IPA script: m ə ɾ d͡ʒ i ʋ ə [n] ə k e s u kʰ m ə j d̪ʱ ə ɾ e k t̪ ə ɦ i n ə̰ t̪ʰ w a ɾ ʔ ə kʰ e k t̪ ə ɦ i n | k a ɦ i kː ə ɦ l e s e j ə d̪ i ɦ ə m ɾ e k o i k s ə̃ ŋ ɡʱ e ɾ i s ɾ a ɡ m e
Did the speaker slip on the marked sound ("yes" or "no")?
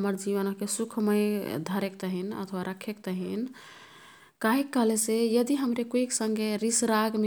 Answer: no